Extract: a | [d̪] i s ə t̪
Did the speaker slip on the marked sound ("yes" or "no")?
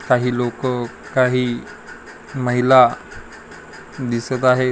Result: no